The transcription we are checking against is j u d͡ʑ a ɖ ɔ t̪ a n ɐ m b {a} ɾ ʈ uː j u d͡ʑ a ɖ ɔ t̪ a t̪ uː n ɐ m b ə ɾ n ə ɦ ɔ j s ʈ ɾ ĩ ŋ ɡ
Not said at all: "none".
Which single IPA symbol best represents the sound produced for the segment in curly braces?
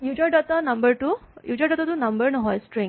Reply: ə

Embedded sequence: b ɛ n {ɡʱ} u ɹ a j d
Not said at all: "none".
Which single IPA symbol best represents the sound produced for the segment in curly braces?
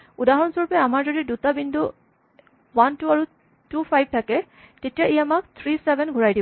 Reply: ɡʱ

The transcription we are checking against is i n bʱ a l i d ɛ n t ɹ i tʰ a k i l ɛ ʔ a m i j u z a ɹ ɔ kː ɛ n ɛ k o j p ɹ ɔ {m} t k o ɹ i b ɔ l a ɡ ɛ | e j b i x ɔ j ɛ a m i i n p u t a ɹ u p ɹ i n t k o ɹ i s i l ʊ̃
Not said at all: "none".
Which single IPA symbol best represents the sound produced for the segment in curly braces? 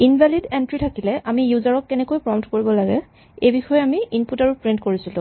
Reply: m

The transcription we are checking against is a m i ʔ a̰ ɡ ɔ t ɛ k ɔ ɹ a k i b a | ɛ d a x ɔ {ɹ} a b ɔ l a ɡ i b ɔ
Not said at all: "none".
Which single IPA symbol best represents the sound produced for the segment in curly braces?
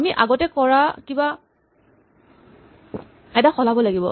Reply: l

